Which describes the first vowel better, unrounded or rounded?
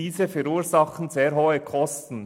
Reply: unrounded